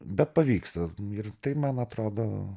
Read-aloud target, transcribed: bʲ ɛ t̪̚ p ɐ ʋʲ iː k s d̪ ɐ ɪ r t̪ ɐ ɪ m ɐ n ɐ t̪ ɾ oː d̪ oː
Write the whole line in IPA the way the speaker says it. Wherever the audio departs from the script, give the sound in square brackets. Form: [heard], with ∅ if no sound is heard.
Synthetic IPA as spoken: bʲ ɛ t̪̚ p ɐ ʋʲ iː k s [t̪] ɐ ɪ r t̪ ɐ ɪ m ɐ n ɐ t̪ ɾ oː d̪ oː